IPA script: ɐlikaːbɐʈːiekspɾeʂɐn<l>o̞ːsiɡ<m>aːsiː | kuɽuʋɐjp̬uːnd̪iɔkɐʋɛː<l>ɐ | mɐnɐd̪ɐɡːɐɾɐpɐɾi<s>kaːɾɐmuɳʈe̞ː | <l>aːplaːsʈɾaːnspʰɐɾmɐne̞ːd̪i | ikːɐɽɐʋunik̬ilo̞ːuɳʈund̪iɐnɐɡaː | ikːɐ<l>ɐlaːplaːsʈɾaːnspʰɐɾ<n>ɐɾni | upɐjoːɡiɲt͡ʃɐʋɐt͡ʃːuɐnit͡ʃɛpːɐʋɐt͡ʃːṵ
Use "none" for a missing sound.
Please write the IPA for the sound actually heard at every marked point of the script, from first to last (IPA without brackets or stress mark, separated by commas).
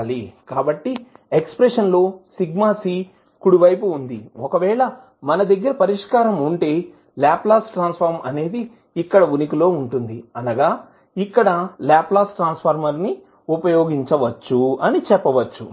l, m, ɭ, ʂ, l, ɽ, m